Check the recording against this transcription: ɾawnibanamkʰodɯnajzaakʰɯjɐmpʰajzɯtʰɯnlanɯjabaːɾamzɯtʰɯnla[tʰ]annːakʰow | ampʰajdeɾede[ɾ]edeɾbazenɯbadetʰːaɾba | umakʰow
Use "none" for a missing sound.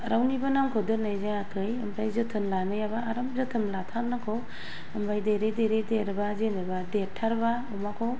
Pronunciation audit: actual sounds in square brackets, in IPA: tʰ, ɾ

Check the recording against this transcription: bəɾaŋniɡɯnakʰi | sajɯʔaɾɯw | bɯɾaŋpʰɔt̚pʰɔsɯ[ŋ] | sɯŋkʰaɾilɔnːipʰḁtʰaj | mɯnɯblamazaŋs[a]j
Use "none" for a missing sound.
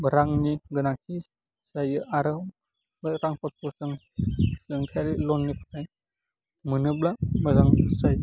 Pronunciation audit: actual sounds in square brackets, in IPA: ŋ, a

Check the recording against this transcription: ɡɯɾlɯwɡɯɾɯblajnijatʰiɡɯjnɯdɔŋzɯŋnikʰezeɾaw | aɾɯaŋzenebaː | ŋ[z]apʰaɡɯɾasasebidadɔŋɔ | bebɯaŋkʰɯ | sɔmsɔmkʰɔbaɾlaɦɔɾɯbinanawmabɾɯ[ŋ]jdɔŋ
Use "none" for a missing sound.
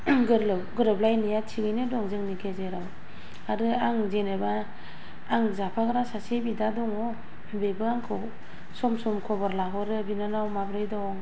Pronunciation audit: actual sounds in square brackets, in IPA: z, none

